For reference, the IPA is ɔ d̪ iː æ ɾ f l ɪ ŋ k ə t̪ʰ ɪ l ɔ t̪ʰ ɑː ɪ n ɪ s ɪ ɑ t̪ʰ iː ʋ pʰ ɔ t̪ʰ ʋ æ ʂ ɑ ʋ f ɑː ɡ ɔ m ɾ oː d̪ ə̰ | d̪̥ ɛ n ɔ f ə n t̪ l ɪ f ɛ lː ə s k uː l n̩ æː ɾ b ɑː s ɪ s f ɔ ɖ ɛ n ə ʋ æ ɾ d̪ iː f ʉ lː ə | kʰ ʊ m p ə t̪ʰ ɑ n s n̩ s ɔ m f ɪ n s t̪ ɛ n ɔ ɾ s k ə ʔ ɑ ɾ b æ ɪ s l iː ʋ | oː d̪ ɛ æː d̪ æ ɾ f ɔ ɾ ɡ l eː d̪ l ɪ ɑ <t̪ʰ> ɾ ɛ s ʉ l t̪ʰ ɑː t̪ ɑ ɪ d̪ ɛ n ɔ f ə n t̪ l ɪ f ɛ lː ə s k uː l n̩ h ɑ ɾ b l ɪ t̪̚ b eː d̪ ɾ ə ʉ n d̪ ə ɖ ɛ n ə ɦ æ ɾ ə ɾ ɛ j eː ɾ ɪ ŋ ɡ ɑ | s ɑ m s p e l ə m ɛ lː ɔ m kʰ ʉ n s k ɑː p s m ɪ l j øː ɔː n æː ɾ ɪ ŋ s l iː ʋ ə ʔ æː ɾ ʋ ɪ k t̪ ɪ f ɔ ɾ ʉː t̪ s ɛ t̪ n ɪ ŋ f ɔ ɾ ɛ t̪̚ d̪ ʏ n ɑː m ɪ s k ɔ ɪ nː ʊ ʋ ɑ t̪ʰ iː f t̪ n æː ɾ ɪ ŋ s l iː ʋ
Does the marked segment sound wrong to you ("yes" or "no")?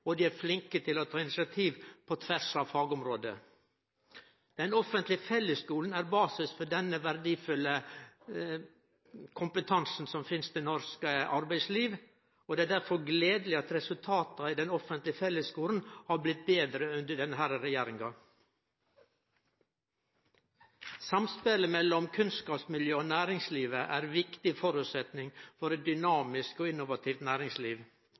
yes